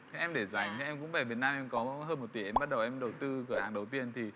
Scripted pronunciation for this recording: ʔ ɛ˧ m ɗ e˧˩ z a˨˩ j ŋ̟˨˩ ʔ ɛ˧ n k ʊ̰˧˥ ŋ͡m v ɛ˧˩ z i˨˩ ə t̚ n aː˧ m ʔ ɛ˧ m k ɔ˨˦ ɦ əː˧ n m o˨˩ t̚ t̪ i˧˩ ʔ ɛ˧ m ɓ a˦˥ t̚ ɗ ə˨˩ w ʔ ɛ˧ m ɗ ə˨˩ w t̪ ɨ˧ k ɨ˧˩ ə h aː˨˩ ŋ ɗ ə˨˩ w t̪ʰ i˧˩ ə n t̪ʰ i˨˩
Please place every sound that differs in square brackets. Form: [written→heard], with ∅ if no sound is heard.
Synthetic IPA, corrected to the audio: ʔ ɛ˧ m ɗ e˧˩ z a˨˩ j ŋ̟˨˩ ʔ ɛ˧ [n→m] k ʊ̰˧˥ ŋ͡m v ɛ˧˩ [z→v] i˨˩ ə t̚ n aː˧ m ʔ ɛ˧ m k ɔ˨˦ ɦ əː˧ n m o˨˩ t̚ t̪ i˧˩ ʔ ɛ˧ m ɓ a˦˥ t̚ ɗ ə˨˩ w ʔ ɛ˧ m ɗ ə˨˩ w t̪ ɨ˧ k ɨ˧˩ ə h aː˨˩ ŋ ɗ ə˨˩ w [t̪ʰ→t̪] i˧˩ ə n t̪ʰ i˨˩